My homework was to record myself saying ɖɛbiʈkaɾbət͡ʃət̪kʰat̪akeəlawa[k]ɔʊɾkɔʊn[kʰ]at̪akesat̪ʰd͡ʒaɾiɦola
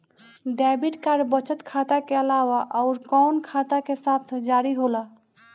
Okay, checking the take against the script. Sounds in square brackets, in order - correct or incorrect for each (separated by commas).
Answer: incorrect, correct